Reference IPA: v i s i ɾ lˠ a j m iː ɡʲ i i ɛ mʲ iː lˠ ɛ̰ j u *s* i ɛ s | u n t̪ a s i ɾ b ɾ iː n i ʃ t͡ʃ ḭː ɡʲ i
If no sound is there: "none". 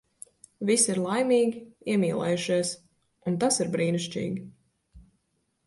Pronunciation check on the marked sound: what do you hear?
ʃ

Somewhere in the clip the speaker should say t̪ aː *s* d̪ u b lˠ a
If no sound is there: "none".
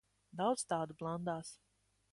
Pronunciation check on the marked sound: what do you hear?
none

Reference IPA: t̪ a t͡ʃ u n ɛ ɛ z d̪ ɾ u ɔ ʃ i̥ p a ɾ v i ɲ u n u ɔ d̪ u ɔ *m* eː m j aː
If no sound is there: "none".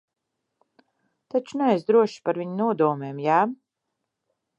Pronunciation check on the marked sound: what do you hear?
m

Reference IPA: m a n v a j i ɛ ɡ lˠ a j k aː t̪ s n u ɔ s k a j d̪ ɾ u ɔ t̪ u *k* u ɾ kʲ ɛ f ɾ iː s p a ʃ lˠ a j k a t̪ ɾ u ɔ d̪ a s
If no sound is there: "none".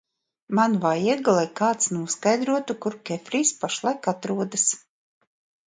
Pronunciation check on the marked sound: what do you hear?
k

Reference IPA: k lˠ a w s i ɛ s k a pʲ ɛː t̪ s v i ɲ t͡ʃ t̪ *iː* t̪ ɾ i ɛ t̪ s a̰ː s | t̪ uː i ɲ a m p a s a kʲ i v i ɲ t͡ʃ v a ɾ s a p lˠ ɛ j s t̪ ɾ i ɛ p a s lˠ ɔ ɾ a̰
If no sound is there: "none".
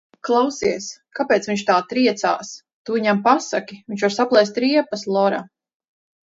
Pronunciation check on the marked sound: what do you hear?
aː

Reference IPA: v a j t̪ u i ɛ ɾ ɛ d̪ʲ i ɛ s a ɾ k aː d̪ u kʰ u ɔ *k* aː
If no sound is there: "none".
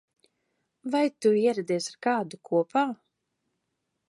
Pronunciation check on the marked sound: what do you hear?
p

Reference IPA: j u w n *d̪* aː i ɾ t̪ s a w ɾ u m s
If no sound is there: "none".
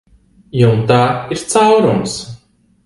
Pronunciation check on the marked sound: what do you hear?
t̪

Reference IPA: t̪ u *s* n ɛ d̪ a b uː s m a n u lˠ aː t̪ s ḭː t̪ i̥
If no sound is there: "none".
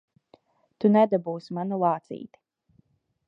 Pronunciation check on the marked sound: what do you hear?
none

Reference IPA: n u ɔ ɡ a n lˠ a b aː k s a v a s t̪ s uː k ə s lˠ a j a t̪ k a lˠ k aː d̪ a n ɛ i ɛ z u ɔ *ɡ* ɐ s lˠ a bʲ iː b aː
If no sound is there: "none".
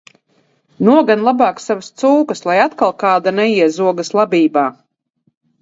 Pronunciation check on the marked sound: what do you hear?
ɡ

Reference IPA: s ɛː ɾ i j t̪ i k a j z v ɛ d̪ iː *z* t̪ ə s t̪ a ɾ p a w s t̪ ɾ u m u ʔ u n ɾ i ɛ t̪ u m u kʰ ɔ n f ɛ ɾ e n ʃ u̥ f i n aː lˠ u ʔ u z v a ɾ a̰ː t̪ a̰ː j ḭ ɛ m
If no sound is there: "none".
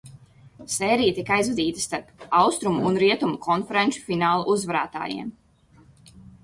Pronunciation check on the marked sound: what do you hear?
none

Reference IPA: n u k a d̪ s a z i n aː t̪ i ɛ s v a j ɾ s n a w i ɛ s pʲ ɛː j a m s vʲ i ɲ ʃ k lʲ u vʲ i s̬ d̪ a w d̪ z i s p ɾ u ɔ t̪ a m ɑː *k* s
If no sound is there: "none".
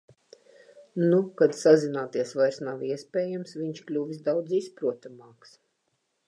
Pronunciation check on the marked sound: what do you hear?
k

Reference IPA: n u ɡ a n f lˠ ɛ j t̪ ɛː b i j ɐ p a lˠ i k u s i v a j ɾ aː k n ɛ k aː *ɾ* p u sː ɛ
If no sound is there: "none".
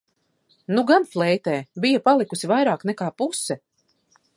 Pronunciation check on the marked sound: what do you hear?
none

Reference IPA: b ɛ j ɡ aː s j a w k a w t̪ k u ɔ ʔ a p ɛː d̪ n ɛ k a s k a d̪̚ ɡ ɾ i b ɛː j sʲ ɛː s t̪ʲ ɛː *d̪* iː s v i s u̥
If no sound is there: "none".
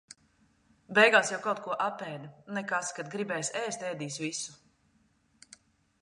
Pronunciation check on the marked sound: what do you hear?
d̪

